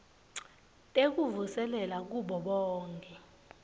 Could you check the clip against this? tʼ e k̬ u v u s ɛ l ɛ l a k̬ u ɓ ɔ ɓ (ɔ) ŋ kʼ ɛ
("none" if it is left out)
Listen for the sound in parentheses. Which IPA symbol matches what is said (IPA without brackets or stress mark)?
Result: ɔː